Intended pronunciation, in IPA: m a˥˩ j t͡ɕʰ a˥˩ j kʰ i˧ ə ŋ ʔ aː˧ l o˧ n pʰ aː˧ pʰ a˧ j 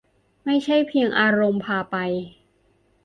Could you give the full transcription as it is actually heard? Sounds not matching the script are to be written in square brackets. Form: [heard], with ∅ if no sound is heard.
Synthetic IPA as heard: m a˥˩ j t͡ɕʰ a˥˩ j [pʰ] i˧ ə ŋ ʔ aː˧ [ɾ] o˧ [m] pʰ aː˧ [p] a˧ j

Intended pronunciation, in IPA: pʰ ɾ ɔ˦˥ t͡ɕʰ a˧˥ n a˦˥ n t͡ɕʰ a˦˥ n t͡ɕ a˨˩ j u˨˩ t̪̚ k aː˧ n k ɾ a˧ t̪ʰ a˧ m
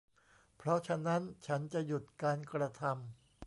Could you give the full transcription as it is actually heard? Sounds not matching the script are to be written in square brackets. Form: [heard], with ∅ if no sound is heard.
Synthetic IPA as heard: pʰ ɾ ɔ˦˥ t͡ɕʰ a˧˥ n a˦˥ n t͡ɕʰ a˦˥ n t͡ɕ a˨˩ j u˨˩ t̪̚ k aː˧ n k ɾ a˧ t̪ʰ a˧ m

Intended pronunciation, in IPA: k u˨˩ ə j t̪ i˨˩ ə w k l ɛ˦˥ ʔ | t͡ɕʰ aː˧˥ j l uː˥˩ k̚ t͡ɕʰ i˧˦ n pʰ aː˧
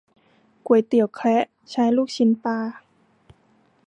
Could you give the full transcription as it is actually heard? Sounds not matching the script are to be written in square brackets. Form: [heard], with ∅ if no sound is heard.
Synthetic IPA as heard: k u˨˩ ə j t̪ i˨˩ ə w [kʰ] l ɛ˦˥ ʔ | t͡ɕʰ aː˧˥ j l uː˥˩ k̚ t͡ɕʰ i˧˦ n [p] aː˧

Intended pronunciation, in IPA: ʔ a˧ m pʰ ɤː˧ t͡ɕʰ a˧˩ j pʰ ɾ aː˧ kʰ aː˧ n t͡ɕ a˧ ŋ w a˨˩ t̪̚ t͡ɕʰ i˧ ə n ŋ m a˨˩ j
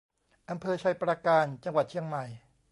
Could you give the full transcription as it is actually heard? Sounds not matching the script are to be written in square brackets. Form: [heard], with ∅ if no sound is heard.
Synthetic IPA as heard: ʔ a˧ m pʰ ɤː˧ t͡ɕʰ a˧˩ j [p] ɾ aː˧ [k] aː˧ n t͡ɕ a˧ ŋ w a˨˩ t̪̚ t͡ɕʰ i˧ ə [∅] ŋ m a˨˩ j

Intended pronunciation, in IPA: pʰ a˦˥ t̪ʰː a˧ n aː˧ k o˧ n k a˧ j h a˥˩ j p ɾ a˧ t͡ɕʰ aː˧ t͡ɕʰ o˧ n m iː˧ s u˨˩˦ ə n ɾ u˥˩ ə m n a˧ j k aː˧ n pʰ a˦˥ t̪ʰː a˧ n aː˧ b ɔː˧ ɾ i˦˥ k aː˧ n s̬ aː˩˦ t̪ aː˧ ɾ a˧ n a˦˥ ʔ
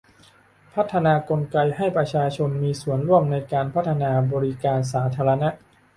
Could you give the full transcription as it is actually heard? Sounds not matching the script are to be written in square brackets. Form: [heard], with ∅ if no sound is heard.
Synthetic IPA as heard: pʰ a˦˥ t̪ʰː a˧ n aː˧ k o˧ n k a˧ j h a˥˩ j p ɾ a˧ t͡ɕʰ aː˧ t͡ɕʰ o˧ n m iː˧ s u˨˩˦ ə n ɾ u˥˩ ə m n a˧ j k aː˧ n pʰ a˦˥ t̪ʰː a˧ n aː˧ b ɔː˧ ɾ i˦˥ k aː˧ n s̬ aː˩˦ [t̪ʰ] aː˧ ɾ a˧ n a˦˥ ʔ

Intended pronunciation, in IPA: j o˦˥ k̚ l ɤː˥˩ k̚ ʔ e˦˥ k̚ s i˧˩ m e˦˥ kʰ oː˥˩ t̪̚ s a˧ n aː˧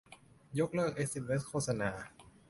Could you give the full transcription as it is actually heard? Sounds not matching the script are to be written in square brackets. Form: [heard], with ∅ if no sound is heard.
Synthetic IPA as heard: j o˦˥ k̚ l ɤː˥˩ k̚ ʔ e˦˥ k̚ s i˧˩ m e˦˥ kʰ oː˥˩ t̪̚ s a˧ n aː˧

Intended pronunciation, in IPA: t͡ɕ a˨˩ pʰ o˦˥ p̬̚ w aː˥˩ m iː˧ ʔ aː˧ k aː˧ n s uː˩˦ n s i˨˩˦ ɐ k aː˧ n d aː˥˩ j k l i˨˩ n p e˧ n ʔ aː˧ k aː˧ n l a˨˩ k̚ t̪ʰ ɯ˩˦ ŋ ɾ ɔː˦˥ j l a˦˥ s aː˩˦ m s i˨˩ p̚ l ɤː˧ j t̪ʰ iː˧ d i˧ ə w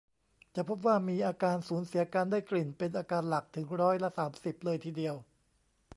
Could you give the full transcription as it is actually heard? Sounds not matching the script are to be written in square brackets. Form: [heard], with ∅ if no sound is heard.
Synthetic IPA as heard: t͡ɕ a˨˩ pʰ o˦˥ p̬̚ w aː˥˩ m iː˧ ʔ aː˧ k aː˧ n s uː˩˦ n s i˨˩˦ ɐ k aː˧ n d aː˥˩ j k l i˨˩ n p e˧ n ʔ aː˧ k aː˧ n l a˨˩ k̚ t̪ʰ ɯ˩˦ ŋ ɾ ɔː˦˥ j l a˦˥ s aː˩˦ m s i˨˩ p̚ l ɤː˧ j t̪ʰ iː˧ d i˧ ə w

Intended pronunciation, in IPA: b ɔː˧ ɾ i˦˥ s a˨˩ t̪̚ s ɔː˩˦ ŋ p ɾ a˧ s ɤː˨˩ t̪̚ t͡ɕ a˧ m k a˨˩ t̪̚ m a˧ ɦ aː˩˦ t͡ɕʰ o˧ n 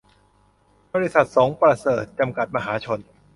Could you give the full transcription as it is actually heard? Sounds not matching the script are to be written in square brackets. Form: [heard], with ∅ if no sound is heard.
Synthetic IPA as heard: b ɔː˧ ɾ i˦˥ s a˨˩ t̪̚ s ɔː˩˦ ŋ p ɾ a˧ s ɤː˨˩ t̪̚ t͡ɕ a˧ m k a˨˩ t̪̚ m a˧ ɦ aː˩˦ t͡ɕʰ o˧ n

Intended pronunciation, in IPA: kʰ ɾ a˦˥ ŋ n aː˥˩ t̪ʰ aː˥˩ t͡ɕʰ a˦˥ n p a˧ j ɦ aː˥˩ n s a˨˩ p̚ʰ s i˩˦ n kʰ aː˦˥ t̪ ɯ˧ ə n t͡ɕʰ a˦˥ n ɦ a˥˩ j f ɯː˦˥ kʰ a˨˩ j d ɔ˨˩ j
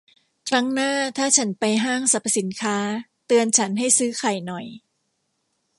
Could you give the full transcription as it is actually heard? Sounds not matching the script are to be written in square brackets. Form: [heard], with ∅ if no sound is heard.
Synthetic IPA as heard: kʰ ɾ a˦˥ ŋ n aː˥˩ t̪ʰ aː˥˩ t͡ɕʰ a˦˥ n p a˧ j ɦ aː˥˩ [ŋ] s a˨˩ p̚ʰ s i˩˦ n kʰ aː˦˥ t̪ ɯ˧ ə n t͡ɕʰ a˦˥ n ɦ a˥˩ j [s] ɯː˦˥ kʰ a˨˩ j [n] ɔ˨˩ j

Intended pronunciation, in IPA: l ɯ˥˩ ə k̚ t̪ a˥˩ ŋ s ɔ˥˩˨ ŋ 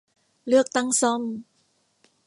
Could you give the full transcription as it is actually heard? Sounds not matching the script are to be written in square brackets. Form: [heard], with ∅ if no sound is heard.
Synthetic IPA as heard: l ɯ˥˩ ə k̚ t̪ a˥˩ ŋ s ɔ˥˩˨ [m]

